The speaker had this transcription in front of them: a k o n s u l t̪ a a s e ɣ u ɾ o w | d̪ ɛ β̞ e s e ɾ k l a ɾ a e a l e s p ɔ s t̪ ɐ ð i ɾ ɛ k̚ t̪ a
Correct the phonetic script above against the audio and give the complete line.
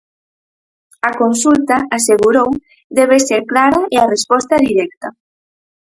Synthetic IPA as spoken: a k o n s u l t̪ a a s e ɣ u ɾ o w | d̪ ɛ β̞ e s e ɾ k l a ɾ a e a r e s p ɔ s t̪ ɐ ð i ɾ ɛ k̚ t̪ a